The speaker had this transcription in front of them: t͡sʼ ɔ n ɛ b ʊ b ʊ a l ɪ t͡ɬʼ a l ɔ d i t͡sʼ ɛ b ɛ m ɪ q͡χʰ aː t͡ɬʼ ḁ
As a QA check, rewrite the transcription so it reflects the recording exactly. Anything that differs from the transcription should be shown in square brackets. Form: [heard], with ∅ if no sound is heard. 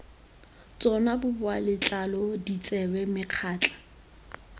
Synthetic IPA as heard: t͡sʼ ɔ n [a] b ʊ b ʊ a l ɪ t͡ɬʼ a l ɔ d i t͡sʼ ɛ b ɛ m ɪ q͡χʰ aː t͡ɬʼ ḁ